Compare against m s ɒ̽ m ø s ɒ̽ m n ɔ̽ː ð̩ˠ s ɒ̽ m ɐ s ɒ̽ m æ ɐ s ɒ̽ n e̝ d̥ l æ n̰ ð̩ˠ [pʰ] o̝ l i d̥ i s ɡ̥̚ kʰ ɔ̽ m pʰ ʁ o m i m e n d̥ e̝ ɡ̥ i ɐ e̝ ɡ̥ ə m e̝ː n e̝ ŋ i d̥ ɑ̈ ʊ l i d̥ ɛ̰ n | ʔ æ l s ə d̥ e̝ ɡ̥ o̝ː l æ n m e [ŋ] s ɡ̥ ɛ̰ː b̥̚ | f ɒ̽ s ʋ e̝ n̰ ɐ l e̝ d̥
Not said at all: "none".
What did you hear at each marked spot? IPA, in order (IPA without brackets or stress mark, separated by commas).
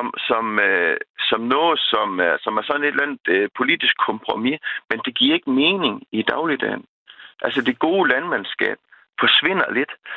pʰ, n